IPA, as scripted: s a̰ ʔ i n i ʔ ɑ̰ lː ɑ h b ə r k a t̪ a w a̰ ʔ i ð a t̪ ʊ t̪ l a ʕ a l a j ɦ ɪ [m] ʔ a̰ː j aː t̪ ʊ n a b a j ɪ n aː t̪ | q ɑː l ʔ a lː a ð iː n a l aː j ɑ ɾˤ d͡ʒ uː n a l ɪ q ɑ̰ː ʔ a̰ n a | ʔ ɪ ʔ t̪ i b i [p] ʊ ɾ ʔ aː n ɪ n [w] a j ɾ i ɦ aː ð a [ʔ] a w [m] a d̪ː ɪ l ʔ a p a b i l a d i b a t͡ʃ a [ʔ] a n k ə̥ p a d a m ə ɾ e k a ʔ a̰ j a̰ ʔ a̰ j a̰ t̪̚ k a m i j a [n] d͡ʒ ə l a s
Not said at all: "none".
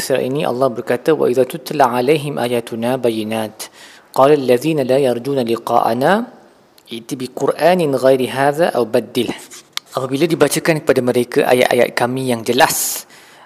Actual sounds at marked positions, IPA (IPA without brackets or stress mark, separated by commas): m, q, ɣ, ʔ, b, k, ŋ